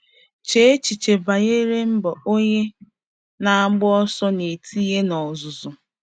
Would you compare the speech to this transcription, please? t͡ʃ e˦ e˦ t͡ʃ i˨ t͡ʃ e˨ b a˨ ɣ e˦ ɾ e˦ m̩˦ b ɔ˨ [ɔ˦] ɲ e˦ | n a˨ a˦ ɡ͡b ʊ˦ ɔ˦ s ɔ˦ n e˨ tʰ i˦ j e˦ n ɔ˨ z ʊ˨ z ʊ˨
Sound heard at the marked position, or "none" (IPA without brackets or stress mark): o˦